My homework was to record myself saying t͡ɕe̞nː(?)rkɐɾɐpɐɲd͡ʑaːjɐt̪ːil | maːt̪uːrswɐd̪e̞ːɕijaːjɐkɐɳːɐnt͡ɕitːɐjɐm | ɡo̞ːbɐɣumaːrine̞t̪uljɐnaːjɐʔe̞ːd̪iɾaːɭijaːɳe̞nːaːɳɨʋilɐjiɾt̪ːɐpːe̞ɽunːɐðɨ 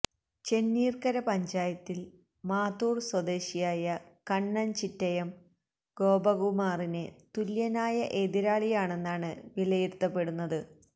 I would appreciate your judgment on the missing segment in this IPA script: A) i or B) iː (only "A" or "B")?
B